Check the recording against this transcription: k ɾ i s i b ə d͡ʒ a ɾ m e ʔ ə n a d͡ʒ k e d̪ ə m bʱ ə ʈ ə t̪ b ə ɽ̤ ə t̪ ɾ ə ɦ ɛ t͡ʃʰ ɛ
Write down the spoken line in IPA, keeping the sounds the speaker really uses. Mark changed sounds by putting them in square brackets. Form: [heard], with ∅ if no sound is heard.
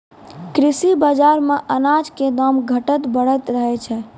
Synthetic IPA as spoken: k ɾ i s i b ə d͡ʒ a ɾ m e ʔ ə n a d͡ʒ k e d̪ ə m [ɡʱ] ə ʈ ə t̪ b ə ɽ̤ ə t̪ ɾ ə ɦ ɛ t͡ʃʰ ɛ